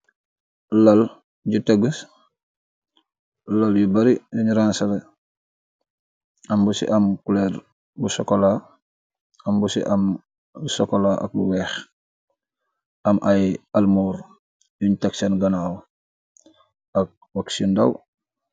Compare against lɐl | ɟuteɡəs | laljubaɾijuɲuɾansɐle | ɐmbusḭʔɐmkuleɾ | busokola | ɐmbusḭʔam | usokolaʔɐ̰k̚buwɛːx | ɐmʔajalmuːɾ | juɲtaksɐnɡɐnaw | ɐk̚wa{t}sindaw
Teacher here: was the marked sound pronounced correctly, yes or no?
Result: no